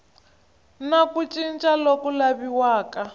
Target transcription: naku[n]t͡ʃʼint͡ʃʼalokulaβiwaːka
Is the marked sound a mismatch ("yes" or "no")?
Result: yes